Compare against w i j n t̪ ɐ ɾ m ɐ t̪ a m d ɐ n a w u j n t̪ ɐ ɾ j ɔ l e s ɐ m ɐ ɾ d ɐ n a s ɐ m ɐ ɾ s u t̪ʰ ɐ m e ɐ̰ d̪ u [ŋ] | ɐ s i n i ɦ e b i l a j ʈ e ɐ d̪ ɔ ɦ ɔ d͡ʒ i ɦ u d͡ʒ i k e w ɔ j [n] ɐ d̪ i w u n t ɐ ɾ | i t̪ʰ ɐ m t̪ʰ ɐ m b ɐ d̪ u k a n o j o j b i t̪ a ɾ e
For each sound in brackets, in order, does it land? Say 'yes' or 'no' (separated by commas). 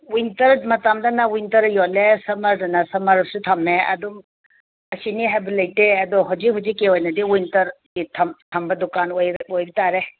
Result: no, yes